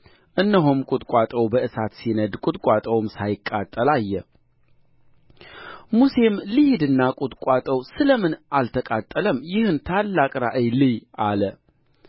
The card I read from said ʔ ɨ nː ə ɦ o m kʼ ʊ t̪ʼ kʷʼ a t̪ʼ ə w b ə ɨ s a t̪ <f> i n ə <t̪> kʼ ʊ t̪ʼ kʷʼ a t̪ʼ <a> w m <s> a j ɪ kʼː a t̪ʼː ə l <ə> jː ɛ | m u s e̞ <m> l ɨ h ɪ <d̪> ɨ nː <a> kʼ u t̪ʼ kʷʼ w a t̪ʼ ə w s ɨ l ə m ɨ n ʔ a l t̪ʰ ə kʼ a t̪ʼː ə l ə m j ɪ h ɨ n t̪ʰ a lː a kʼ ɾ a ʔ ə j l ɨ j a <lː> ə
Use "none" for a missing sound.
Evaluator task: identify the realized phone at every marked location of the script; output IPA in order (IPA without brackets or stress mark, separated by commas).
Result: s, d̪, ə, s, a, m, d̪, a, l